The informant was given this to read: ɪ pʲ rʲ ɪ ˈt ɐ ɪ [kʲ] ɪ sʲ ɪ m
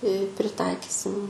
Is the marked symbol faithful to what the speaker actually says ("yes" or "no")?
yes